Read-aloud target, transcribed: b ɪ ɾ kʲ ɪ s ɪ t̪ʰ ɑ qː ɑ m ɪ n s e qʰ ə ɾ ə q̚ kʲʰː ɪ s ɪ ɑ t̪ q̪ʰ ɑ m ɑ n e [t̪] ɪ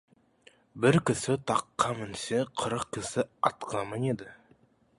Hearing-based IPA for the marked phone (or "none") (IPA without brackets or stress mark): d̪